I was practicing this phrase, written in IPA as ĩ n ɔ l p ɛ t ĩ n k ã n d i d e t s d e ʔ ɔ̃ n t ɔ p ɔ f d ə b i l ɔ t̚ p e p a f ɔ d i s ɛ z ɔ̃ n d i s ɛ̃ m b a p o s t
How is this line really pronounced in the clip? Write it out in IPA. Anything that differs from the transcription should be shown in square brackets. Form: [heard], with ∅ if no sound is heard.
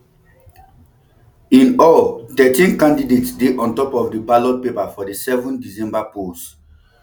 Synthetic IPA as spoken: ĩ n ɔ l [t] ɛ t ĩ n k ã n d i d e t s d e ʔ ɔ̃ n t ɔ p ɔ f d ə b [a] l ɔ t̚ p e p a f ɔ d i s ɛ [v] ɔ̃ n d i s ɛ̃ m b a p o s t